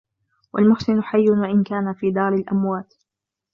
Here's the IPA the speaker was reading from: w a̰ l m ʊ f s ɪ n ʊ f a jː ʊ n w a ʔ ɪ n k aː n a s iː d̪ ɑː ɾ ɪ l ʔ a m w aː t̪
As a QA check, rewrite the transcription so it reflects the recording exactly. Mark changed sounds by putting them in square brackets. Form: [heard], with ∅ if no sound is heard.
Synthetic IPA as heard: w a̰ l m ʊ [ħ] s ɪ n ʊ [ħ] a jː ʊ n w a ʔ ɪ n k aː n a [f] iː d̪ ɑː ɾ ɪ l ʔ a m w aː t̪